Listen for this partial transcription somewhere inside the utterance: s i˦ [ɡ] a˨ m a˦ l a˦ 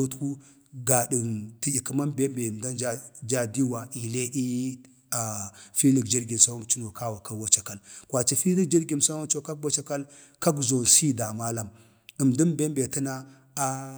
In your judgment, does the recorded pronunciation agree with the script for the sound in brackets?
no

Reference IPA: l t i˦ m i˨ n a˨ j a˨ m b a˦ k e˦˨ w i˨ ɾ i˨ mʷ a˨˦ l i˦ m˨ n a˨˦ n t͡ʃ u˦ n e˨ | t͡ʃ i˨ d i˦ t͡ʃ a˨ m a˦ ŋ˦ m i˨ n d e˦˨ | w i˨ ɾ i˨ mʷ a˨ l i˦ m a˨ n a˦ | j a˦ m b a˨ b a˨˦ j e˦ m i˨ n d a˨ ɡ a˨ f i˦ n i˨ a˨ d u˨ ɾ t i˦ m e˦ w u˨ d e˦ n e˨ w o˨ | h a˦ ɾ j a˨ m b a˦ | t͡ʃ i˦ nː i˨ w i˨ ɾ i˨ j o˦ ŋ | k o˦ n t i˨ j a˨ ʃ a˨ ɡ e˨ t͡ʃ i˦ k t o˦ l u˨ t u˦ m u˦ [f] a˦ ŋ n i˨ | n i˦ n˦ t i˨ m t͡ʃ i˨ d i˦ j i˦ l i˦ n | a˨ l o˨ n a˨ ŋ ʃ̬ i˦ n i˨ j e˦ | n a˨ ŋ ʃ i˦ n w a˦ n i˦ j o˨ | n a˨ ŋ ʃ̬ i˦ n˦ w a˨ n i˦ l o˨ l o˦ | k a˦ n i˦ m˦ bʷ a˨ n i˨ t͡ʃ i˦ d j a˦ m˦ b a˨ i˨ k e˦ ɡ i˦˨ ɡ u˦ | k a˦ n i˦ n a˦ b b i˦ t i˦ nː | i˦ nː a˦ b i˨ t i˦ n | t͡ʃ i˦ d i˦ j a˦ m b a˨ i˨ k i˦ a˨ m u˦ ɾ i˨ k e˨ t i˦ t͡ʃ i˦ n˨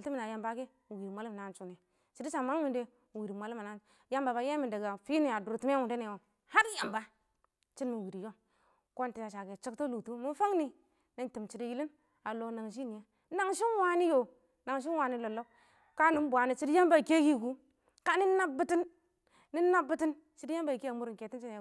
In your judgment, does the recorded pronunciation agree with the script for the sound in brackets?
yes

